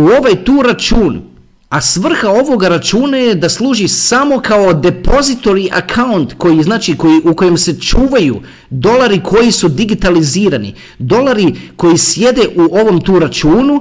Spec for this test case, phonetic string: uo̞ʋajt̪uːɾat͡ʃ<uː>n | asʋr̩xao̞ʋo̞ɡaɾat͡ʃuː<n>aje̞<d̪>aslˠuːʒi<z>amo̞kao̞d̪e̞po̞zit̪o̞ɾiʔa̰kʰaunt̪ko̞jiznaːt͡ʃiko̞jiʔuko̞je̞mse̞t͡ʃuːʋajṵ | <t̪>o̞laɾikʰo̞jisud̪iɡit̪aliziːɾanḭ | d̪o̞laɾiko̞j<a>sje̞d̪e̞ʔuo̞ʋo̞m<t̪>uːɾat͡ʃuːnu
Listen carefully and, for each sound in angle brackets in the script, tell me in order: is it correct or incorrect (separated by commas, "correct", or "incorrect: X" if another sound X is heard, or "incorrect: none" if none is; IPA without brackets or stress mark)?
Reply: correct, correct, correct, incorrect: s, incorrect: d̪, incorrect: i, correct